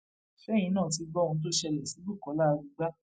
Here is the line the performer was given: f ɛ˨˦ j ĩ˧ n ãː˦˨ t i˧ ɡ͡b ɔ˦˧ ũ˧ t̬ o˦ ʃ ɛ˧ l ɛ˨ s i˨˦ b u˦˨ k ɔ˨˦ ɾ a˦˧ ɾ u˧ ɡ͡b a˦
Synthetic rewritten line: f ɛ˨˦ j ĩ˧ n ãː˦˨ t i˧ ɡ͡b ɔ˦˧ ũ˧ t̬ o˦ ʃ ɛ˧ l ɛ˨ s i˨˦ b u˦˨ k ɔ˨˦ l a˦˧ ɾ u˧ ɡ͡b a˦